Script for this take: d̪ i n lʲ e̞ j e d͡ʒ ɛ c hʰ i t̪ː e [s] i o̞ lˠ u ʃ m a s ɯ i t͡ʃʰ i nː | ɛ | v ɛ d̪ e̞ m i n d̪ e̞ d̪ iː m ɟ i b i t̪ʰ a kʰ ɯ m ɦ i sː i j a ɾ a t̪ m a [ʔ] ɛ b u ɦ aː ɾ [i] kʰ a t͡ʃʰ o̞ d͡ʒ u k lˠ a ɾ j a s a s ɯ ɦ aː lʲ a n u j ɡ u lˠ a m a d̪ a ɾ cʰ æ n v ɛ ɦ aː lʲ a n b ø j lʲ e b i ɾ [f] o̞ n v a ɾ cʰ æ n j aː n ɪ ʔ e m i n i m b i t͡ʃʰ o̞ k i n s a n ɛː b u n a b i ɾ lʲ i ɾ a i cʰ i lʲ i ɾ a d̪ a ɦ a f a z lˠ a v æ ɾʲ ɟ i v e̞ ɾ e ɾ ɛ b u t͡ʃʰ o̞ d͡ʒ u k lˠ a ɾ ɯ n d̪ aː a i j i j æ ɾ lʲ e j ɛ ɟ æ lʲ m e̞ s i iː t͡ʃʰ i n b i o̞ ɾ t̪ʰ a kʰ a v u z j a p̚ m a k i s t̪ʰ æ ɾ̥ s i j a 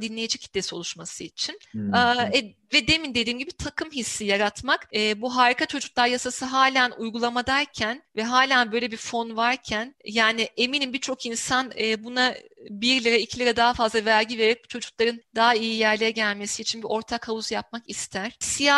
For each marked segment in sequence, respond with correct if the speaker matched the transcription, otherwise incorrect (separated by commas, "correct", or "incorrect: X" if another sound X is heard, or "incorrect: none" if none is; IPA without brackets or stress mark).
correct, incorrect: k, correct, correct